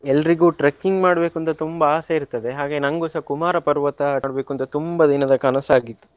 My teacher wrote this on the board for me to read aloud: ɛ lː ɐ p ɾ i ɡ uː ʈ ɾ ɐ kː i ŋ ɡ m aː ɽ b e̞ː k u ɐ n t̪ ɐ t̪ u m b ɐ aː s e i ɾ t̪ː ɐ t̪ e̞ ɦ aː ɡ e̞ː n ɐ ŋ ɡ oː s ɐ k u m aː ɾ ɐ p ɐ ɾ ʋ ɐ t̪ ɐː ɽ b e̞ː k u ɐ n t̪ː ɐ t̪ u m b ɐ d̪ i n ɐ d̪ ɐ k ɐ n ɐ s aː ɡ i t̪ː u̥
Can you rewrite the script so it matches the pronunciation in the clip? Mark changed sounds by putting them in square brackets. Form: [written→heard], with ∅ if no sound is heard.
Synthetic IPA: ɛ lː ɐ [p→∅] ɾ i ɡ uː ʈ ɾ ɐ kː i ŋ ɡ m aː ɽ b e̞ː k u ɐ n t̪ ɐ t̪ u m b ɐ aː s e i ɾ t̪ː ɐ [t̪→d̪] e̞ ɦ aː ɡ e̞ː n ɐ ŋ ɡ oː s ɐ k u m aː ɾ ɐ p ɐ ɾ ʋ ɐ t̪ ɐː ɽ b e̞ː k u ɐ n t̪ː ɐ t̪ u m b ɐ d̪ i n ɐ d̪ ɐ k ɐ n ɐ s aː ɡ i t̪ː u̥

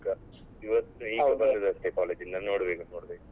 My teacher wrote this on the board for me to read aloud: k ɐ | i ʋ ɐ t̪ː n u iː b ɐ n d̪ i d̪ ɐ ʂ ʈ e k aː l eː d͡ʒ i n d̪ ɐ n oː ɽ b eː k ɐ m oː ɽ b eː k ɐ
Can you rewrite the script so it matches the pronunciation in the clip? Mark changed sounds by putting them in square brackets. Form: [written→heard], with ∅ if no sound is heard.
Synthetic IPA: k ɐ | i ʋ ɐ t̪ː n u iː b ɐ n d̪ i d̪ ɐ [ʂ→s] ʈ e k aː l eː d͡ʒ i n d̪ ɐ n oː ɽ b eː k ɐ [m→n] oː ɽ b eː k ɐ

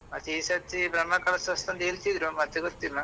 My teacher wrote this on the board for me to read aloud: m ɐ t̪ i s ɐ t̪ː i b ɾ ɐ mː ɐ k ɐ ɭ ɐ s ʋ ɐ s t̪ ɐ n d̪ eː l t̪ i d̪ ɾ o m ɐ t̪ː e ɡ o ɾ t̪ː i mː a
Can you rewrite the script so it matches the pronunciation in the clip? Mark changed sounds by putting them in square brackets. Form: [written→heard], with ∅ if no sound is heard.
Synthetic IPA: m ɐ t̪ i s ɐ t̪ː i b ɾ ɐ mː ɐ k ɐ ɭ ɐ s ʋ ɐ s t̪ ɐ n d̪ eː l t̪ i d̪ ɾ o m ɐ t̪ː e ɡ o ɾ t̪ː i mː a

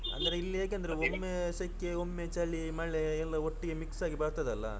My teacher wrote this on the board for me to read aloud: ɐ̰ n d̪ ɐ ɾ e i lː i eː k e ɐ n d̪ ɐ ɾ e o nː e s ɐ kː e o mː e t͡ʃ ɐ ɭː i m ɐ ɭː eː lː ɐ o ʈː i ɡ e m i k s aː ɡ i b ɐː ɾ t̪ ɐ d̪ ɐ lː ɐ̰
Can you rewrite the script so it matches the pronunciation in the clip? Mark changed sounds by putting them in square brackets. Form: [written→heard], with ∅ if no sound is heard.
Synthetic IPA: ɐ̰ n d̪ ɐ ɾ e i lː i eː k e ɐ n d̪ ɐ ɾ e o [nː→mː] e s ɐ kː e o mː e t͡ʃ ɐ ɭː i m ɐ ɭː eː lː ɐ o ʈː i ɡ e m i k s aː ɡ i b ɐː ɾ t̪ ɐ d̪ ɐ lː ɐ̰

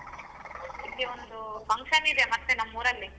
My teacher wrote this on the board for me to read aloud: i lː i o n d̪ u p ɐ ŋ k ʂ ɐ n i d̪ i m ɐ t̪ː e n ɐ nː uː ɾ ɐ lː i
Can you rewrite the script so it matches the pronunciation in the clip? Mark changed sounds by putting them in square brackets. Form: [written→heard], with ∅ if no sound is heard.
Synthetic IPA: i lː i o n d̪ u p ɐ ŋ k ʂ ɐ n i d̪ [i→e] m ɐ t̪ː e n ɐ [nː→mː] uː ɾ ɐ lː i

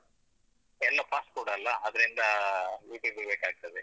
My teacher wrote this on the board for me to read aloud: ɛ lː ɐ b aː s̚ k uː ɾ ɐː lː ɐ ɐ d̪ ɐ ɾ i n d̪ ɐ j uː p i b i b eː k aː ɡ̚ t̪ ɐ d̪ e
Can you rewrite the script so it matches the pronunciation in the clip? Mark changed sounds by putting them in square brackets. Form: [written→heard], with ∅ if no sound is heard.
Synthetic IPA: ɛ lː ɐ [b→p] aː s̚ k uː [ɾ→ɽ] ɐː lː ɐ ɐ d̪ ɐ ɾ i n d̪ ɐ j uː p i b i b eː k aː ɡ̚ t̪ ɐ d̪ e

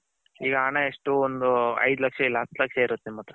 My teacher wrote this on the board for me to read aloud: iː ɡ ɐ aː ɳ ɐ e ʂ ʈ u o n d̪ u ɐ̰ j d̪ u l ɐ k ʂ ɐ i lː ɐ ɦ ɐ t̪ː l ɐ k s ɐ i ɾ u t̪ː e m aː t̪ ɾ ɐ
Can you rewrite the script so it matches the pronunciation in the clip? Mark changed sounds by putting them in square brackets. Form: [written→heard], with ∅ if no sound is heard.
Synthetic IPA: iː ɡ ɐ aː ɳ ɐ e ʂ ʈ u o n d̪ u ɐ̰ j d̪ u l ɐ k ʂ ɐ i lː ɐ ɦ ɐ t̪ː l ɐ k [s→ʂ] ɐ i ɾ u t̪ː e m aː t̪ ɾ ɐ

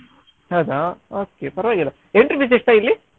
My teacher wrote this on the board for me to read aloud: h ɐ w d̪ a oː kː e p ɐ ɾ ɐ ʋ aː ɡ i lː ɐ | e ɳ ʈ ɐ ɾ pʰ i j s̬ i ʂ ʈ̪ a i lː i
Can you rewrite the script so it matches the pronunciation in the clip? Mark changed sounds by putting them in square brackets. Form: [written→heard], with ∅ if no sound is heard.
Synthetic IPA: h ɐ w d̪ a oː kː e p ɐ ɾ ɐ ʋ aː ɡ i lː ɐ | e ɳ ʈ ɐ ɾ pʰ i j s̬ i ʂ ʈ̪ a i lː i

